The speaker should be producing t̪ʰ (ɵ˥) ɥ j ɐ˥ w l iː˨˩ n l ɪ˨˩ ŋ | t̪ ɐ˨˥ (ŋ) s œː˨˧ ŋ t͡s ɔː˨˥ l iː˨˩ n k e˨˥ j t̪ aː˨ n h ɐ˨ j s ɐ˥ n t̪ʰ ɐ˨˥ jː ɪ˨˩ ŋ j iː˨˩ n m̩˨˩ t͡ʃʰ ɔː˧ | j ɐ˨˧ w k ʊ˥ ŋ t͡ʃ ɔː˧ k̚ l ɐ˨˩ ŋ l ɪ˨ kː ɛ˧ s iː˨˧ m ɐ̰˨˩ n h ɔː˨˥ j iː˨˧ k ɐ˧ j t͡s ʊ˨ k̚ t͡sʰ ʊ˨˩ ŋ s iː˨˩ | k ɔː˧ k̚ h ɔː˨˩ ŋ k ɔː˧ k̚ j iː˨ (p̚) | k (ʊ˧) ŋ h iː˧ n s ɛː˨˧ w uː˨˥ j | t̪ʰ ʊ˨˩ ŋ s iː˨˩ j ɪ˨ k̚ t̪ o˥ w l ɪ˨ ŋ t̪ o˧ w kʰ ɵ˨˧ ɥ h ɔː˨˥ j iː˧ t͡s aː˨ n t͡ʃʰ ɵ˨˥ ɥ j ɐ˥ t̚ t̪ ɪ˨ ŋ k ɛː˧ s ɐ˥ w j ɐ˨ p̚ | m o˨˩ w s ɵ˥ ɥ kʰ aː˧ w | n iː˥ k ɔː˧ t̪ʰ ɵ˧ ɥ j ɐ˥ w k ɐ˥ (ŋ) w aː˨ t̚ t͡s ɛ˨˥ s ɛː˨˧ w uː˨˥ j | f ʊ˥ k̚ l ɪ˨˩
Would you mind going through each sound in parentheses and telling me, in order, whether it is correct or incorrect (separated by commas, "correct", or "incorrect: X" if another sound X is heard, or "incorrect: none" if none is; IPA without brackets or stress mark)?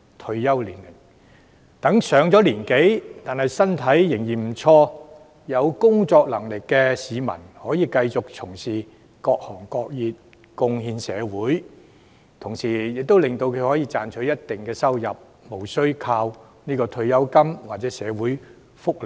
incorrect: ɵ˧, correct, incorrect: t̚, correct, incorrect: m